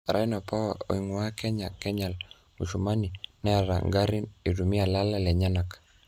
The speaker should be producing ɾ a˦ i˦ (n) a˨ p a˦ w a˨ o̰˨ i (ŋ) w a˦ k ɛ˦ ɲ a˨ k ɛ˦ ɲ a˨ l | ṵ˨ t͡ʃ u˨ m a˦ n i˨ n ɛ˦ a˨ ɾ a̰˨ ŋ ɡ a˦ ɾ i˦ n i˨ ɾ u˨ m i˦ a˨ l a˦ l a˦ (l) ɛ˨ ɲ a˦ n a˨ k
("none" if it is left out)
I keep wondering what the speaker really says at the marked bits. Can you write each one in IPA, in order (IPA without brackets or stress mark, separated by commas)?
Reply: n, ŋ, l